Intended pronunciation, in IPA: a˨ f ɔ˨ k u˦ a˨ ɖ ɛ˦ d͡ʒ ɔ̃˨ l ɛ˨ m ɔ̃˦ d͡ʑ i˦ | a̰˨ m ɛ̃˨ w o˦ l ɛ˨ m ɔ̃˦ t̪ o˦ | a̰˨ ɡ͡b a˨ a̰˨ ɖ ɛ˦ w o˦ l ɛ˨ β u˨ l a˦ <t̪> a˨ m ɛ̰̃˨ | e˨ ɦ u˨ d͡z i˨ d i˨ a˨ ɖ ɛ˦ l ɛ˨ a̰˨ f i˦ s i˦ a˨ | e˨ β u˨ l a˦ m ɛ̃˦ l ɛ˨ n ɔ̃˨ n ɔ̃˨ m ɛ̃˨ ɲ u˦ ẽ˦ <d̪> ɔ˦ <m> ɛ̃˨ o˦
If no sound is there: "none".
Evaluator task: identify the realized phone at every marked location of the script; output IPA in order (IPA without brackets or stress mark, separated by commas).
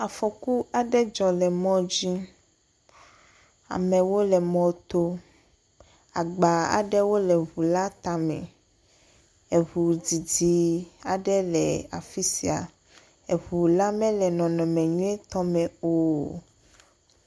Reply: t̪, t̪, m